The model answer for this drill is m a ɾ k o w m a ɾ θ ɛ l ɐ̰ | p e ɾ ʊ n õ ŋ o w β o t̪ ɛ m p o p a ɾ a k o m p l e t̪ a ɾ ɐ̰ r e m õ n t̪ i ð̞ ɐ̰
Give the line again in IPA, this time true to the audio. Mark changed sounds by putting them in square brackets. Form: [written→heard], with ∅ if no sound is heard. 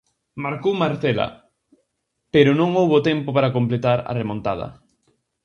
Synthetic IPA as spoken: m a ɾ k o w m a ɾ θ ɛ l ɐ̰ | p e ɾ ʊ n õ ŋ o w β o t̪ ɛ m p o p a ɾ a k o m p l e t̪ a ɾ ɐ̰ r e m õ n t̪ [i→a] ð̞ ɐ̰